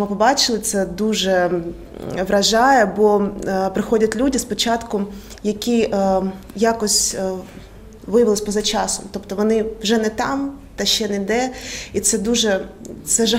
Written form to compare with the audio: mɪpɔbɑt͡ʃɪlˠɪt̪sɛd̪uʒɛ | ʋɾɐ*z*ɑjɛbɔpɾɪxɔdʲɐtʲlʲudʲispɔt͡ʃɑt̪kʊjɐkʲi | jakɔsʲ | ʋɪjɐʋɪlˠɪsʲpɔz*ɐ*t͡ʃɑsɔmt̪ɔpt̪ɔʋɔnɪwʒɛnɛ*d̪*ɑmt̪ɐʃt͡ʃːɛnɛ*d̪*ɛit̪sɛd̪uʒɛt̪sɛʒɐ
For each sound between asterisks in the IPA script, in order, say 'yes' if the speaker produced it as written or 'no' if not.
no, yes, no, yes

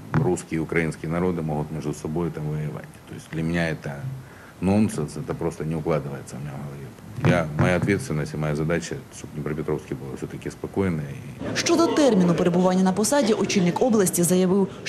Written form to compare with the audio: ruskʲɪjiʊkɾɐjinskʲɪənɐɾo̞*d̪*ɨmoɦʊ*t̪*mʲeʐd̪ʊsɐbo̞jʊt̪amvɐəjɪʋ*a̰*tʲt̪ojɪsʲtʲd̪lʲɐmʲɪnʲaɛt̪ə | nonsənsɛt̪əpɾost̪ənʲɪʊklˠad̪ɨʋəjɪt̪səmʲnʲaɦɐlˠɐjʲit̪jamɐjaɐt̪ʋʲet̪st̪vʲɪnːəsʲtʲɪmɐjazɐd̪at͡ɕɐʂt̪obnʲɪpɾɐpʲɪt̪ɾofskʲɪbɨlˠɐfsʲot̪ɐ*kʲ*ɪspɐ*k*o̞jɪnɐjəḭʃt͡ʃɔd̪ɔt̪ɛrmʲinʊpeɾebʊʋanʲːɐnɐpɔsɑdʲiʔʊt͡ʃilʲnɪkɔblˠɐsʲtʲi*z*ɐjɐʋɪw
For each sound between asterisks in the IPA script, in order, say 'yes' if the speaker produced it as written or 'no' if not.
yes, yes, yes, yes, yes, yes

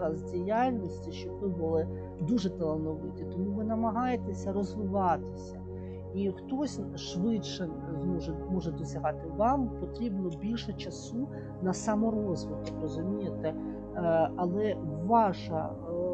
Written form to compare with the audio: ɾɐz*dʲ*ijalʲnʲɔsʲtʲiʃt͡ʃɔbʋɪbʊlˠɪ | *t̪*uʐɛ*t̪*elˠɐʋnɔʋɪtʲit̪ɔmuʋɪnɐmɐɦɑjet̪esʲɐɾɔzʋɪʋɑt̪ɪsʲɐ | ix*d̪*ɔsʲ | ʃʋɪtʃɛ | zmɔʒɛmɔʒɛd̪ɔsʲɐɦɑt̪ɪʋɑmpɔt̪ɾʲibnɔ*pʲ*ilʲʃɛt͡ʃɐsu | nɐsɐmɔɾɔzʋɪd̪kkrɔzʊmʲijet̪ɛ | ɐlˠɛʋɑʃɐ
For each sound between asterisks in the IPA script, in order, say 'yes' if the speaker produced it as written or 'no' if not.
yes, no, yes, no, no

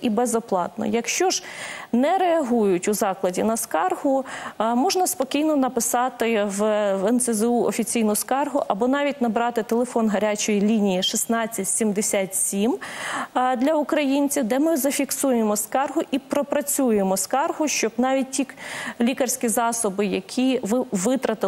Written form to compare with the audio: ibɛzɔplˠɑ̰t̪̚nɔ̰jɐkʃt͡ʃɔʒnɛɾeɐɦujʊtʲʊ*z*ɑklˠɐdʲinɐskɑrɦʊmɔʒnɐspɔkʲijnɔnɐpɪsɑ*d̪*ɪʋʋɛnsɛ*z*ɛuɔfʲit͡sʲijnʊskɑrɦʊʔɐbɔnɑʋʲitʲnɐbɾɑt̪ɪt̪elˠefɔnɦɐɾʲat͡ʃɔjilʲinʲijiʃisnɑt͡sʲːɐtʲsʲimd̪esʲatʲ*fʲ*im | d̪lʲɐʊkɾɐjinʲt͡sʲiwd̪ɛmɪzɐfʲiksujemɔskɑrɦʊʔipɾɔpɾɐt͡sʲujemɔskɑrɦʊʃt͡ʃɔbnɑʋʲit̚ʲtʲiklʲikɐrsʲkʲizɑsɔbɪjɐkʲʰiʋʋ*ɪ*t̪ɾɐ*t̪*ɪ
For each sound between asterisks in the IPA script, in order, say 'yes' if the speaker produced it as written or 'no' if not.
yes, no, yes, no, yes, yes

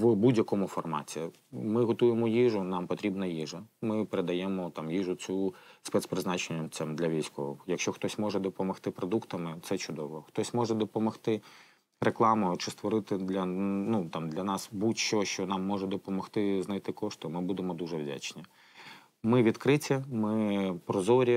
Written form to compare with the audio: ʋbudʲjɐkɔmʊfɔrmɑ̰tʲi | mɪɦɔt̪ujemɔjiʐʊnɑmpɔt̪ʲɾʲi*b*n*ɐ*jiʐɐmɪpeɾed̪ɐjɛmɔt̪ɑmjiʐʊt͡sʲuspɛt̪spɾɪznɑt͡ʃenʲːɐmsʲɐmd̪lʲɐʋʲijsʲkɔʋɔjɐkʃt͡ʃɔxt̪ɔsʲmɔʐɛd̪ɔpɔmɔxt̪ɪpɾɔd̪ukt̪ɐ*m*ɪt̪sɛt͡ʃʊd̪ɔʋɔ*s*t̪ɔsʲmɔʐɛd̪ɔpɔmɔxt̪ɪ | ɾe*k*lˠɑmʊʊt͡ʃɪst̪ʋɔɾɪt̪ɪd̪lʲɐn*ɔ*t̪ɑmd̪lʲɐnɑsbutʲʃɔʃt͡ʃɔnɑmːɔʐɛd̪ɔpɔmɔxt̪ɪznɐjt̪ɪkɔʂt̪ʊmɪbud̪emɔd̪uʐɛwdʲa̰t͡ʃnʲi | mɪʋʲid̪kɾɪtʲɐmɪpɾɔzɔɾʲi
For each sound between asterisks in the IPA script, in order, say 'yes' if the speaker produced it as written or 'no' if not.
yes, yes, yes, no, yes, no

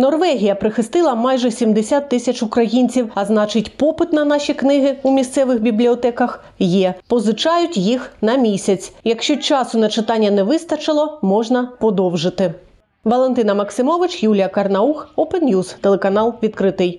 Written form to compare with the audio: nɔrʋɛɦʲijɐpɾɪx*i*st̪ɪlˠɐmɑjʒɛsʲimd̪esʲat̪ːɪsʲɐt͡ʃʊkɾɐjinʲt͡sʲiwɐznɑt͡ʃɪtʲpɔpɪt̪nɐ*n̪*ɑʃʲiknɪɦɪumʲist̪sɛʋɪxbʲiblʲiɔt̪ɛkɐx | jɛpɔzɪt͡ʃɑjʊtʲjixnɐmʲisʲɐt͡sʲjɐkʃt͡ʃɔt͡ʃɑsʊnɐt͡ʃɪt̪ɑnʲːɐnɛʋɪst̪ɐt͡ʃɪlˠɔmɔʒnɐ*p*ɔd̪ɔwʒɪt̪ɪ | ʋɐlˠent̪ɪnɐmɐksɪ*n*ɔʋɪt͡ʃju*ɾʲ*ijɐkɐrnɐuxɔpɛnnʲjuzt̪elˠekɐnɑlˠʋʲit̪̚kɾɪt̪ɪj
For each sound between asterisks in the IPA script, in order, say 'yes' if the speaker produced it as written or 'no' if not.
no, yes, yes, no, no

